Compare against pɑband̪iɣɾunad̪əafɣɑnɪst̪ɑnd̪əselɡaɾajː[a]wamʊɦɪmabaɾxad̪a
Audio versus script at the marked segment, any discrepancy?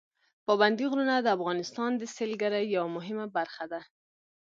no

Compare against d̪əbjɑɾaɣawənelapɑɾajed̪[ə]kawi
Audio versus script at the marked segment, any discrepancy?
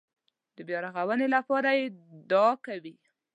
yes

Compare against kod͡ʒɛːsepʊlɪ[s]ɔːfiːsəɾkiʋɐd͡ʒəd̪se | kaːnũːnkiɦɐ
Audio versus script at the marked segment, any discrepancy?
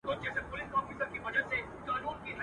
no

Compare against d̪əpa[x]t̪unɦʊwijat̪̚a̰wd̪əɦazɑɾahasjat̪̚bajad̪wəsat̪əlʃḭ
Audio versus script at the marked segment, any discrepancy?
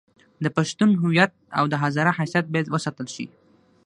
yes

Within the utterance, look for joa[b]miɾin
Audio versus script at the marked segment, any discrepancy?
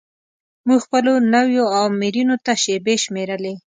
yes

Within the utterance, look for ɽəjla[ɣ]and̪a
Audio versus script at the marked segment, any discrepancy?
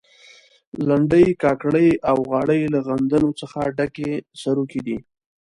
no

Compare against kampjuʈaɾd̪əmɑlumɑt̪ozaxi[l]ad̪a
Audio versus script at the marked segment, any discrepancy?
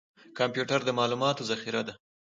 yes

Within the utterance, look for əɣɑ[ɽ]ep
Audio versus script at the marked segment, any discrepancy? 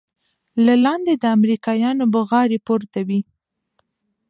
yes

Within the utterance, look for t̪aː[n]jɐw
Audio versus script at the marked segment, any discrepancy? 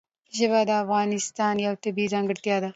no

